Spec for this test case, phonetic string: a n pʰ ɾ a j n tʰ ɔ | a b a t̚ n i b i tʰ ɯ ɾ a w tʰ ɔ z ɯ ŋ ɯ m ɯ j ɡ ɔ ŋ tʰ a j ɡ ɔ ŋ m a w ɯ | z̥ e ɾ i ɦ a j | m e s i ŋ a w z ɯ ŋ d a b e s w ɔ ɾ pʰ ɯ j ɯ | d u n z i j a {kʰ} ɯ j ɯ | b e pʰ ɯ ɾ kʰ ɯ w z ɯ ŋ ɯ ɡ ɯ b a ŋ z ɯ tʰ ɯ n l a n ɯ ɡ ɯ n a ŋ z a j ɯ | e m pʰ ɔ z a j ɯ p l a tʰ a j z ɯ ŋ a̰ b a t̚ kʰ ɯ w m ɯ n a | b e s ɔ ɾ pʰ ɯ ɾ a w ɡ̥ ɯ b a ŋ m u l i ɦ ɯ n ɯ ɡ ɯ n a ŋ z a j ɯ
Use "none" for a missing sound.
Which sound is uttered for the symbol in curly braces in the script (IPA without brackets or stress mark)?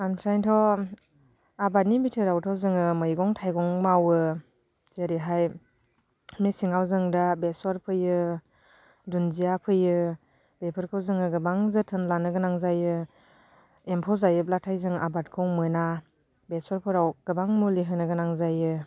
pʰ